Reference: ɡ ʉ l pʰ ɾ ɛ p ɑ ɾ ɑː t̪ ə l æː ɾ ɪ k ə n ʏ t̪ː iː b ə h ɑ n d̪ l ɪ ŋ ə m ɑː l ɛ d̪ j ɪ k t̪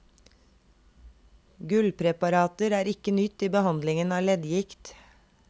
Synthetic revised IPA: ɡ ʉ l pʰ ɾ ɛ p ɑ ɾ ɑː t̪ ə ɾ æː ɾ ɪ k ə n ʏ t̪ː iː b ə h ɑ n d̪ l ɪ ŋ ə n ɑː l ɛ d̪ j ɪ k t̪